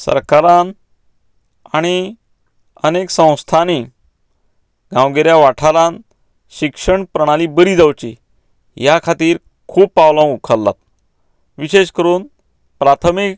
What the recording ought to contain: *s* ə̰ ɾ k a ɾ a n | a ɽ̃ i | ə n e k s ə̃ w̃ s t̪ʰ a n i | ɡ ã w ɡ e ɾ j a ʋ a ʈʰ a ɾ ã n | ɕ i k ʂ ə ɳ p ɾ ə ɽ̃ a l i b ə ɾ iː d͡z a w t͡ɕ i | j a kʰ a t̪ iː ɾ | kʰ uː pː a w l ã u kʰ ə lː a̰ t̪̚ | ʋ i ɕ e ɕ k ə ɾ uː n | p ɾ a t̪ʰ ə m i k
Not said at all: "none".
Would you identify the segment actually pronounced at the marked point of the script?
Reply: s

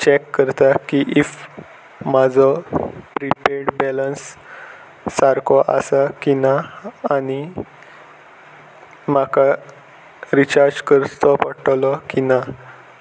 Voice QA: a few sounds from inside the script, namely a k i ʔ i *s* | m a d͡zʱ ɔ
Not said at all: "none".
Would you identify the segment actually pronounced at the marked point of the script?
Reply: f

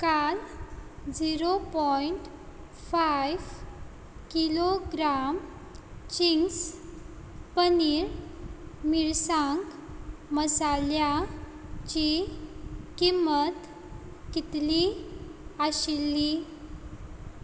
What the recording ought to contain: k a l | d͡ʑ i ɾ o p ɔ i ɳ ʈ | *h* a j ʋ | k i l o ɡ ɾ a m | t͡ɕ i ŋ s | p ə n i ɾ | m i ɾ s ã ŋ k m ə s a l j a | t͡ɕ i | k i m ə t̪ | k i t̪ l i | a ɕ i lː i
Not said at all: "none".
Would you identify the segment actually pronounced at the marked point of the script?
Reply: f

